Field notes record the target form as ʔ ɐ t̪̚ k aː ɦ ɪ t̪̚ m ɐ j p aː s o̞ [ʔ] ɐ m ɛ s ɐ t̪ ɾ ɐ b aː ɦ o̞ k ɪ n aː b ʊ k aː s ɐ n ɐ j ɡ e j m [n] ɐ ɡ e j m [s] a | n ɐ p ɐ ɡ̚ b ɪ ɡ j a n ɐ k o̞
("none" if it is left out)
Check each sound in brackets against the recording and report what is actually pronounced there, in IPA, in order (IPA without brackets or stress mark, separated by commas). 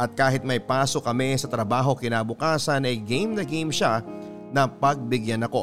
k, n, ʃ